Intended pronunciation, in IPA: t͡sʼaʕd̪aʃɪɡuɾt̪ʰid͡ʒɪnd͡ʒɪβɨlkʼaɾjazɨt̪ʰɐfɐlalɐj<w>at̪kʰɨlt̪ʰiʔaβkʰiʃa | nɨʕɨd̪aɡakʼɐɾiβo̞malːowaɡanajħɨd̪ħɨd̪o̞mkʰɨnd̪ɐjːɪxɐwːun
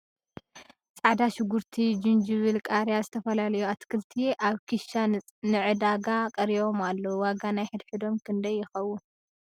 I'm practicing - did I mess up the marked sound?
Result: yes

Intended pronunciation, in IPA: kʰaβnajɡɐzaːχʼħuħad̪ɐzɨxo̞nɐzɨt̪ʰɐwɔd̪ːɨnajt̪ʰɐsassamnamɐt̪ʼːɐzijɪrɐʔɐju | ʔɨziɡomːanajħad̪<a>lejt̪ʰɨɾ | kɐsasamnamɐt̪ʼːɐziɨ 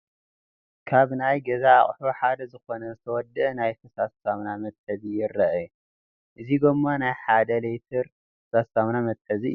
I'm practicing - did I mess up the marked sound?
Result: yes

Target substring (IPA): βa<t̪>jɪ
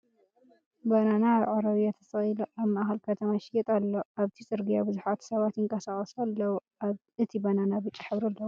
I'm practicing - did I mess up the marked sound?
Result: no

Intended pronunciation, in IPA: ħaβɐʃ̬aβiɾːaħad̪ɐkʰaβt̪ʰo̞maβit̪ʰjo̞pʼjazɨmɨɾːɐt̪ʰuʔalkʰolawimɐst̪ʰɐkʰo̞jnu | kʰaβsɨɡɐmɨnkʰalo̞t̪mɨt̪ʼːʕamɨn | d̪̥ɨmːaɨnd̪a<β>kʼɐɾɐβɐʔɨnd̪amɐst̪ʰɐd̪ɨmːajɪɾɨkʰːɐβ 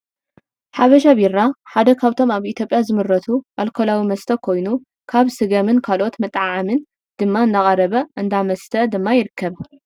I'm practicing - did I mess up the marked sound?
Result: yes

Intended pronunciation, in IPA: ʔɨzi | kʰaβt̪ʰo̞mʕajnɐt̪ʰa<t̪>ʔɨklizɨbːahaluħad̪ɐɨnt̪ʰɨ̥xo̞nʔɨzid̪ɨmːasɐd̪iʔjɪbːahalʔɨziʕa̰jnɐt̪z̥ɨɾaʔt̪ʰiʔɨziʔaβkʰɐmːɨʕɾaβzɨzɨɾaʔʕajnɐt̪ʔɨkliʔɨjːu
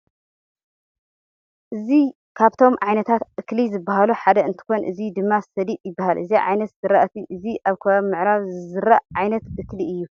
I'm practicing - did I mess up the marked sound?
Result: no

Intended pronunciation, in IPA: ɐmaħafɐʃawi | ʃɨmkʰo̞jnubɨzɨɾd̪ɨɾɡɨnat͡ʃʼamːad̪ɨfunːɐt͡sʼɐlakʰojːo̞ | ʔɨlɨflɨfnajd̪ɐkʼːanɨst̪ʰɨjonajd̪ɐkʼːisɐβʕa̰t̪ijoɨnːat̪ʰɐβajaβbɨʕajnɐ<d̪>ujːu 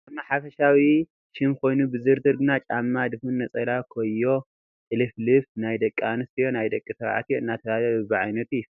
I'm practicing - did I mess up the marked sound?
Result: yes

